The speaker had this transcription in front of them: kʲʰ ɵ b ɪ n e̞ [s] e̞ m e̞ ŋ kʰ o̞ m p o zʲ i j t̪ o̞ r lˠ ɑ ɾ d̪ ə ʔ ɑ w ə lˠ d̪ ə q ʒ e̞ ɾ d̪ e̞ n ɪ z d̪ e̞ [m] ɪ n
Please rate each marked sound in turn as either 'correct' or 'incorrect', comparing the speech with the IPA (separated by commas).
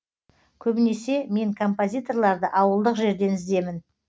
correct, correct